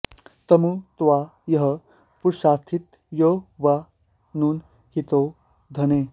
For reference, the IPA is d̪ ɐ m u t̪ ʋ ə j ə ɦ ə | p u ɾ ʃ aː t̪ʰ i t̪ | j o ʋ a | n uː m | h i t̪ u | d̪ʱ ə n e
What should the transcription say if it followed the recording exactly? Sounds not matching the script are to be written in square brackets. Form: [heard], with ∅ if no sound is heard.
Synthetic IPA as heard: [t̪] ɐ m u t̪ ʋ [a] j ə ɦ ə | p u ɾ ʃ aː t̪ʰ i t̪ | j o ʋ a | n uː [n] | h i t̪ [o] | d̪ʱ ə n e